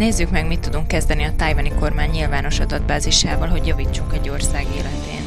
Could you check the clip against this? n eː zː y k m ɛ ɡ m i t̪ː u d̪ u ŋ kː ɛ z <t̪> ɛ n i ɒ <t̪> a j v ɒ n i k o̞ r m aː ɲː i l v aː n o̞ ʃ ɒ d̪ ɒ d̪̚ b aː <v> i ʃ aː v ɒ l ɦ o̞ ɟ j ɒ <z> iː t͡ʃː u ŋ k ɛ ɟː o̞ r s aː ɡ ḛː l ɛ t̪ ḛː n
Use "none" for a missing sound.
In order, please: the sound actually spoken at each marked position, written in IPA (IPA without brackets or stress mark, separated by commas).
d̪, t̪, z, v